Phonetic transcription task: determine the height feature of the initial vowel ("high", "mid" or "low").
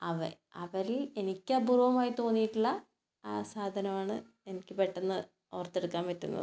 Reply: low